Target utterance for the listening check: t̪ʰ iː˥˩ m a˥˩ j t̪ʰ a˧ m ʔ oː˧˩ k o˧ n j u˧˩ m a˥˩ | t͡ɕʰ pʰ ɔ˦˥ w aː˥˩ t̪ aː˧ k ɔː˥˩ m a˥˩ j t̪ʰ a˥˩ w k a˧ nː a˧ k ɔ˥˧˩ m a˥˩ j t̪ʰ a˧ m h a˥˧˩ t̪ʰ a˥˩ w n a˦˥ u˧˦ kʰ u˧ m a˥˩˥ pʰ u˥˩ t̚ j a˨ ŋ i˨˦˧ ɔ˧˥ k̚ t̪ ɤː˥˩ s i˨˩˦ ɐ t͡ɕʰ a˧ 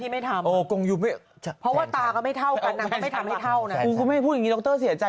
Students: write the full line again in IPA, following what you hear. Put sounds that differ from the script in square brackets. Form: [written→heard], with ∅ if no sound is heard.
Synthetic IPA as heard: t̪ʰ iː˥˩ m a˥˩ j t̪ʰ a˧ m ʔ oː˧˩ k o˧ [n→ŋ] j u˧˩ m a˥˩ | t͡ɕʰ pʰ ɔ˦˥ w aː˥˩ t̪ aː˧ k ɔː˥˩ m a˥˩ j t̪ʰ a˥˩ w k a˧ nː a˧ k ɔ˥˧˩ m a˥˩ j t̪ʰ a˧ m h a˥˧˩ t̪ʰ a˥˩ w n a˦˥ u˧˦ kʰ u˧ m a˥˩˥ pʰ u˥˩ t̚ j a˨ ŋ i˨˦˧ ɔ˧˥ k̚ t̪ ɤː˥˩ s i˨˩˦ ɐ [t͡ɕʰ→t͡ɕ] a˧